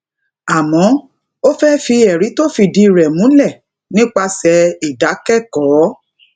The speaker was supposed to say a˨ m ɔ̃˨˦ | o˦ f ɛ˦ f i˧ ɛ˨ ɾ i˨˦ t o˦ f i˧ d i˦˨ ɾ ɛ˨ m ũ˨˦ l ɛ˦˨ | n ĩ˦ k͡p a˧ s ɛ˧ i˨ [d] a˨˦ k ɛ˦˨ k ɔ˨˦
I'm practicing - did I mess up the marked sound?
no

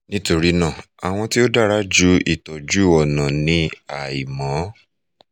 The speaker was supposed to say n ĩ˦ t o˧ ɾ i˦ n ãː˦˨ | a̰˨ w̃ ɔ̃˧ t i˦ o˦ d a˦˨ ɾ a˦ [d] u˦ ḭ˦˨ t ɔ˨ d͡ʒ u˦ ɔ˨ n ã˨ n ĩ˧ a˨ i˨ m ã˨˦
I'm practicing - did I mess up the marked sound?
yes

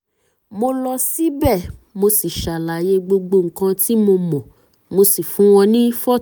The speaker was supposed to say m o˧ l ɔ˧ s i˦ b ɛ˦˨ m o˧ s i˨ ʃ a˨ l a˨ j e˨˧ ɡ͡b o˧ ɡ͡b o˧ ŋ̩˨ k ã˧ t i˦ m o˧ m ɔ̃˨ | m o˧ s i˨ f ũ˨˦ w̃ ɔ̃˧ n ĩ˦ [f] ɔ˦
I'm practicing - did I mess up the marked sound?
no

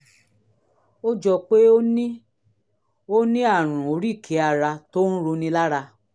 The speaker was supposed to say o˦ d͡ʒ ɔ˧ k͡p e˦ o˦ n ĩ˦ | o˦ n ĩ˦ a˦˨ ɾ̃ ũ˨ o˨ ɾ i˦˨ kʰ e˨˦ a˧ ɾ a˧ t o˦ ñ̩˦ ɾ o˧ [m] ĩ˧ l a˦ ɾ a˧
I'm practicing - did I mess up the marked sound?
yes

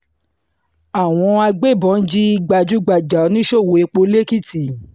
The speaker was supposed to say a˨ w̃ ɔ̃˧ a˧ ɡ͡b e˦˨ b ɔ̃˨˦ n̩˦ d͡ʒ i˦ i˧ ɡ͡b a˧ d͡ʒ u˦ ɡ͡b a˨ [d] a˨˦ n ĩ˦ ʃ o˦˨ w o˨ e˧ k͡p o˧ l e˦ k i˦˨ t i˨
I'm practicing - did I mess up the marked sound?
yes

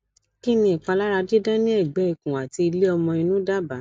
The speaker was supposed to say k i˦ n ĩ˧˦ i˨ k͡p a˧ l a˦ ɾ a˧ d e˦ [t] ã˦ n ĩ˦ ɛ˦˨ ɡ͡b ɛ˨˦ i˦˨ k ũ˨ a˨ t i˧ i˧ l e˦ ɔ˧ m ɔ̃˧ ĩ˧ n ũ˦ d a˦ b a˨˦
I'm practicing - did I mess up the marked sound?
yes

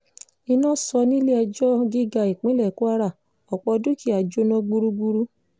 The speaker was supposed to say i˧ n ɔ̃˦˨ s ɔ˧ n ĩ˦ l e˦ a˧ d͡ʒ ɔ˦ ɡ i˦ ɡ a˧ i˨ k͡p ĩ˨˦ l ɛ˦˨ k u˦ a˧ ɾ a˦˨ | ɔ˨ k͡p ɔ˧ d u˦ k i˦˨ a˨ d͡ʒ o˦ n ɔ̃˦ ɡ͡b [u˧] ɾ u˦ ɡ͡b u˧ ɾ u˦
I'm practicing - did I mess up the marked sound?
no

